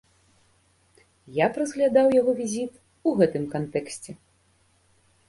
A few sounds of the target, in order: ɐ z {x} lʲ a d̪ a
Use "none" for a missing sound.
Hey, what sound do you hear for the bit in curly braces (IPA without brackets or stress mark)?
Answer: ɣ